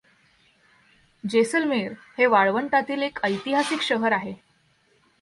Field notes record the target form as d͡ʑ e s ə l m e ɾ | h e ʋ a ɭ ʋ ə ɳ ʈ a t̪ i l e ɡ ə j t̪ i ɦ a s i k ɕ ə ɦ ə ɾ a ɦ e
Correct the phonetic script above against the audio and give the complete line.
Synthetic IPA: d͡ʑ e s ə l m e ɾ | h e ʋ a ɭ ʋ ə ɳ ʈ a t̪ iː l e k ə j t̪ i ɦ a s i k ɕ ə ɦ ə ɾ a ɦ e

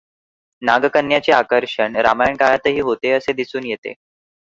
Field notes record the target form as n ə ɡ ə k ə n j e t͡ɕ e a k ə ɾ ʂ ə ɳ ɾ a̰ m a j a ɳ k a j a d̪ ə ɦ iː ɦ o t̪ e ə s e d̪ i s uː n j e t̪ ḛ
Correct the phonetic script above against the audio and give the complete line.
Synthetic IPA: n a ɡ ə k ə n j a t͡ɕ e a k ə ɾ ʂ ə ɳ ɾ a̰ m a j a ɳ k a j a t̪ ə ɦ iː ɦ o t̪ e ə s e d̪ i s uː n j e t̪ ḛ

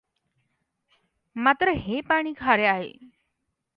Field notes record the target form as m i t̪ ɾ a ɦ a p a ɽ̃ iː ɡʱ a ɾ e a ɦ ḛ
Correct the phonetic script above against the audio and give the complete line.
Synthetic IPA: m a t̪ ɾ ə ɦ e p a ɽ̃ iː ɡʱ a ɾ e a ɦ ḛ

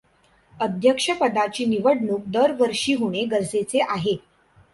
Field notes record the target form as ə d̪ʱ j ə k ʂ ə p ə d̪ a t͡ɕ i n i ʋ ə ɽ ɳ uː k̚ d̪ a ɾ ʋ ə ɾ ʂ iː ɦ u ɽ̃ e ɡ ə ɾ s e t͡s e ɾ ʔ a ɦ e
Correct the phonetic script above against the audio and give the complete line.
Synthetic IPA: ə d̪ʱ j ə k ʂ ə p ə d̪ a t͡ɕ iː n i ʋ ə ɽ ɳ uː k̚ d̪ ə ɾ ʋ ə ɾ ʂ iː ɦ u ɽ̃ e ɡ ə ɾ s e t͡s e ʔ a ɦ e

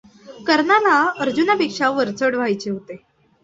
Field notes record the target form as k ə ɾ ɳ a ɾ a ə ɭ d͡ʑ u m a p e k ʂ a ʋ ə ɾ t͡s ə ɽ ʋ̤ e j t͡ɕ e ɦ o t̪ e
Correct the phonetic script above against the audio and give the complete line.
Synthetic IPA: k ə ɾ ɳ a l a ə ɾ d͡ʑ u n a p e k ʂ a ʋ ə ɾ t͡s ə ɽ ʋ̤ a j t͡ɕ e ɦ o t̪ e

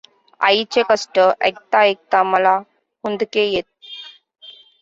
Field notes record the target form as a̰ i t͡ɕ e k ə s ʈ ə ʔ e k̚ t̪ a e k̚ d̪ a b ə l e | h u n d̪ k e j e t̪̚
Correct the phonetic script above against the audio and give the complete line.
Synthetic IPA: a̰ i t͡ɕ e k ə s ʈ ə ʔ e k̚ t̪ a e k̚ t̪ a m ə l a | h u n d̪ k e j e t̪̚

